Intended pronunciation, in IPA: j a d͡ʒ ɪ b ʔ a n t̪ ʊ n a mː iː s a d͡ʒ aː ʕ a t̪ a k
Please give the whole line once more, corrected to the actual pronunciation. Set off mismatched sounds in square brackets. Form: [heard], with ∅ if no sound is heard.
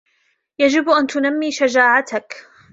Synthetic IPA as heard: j a d͡ʒ ɪ b ʔ a n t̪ ʊ n a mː iː [ʃ] a d͡ʒ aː ʕ a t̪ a k